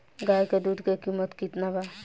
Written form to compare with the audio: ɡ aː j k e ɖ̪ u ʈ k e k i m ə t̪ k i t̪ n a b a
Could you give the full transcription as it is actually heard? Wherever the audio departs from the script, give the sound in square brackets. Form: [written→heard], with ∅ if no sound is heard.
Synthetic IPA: ɡ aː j k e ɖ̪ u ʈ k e k i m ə t̪ k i t̪ n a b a